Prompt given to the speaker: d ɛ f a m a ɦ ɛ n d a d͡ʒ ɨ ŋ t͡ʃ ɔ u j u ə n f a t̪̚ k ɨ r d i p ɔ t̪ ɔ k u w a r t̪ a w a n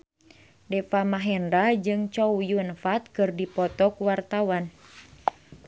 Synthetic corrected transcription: d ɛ f a m a ɦ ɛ n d a d͡ʒ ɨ ŋ t͡ʃ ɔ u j u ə n f a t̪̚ k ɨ r d i p ɔ t̪ ɔ k u w a r t̪ a w a n